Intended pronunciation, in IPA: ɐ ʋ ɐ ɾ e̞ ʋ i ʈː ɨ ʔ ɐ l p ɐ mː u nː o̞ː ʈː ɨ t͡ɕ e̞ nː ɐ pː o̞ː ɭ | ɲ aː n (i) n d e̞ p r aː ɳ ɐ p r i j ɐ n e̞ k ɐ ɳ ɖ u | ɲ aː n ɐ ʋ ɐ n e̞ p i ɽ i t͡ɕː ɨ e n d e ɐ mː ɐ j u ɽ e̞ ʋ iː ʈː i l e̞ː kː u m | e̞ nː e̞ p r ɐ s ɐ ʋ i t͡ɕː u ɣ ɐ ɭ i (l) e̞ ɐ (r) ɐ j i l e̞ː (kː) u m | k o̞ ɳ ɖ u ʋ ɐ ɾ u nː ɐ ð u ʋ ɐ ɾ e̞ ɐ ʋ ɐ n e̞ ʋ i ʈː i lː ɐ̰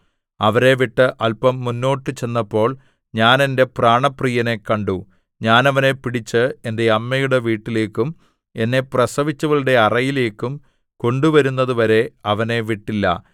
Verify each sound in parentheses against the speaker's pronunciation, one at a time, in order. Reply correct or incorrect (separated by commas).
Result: incorrect, incorrect, correct, correct